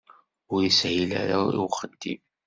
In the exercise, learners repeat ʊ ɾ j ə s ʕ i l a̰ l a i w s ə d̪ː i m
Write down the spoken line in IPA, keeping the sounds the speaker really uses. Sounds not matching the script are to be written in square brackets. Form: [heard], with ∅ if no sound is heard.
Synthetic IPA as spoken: ʊ ɾ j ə s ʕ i l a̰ [ɾ] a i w [χ] ə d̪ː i m